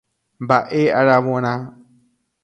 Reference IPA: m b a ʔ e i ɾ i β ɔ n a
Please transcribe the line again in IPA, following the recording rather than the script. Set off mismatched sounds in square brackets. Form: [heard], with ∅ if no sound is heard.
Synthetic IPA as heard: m b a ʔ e [a] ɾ [a] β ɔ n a